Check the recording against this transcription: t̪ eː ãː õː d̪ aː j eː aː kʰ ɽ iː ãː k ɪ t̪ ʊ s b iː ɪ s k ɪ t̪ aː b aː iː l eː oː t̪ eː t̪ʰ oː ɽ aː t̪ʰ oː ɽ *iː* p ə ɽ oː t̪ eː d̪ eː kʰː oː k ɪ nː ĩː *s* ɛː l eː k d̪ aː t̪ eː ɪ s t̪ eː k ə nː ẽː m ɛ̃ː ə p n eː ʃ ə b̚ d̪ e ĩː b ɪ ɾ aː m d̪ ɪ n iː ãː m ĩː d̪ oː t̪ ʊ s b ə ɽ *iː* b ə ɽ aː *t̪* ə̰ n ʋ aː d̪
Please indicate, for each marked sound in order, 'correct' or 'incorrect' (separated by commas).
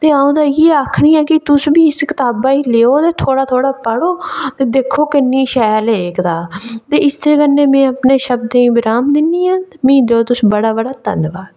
incorrect, incorrect, incorrect, correct